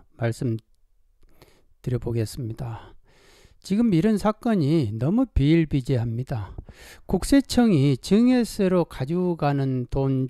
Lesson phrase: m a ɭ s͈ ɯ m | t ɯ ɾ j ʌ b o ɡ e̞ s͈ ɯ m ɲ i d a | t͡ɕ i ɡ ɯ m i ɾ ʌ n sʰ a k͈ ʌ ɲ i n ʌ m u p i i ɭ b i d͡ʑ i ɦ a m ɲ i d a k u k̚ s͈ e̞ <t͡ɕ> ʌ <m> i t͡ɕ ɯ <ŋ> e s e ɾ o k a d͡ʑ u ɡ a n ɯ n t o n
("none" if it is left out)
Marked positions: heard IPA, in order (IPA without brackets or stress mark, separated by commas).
t͡ɕʰ, ŋ, ŋ